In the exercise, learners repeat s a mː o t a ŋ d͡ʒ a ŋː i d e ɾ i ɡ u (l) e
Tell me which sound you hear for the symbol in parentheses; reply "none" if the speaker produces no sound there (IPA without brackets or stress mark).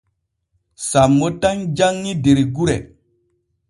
ɾ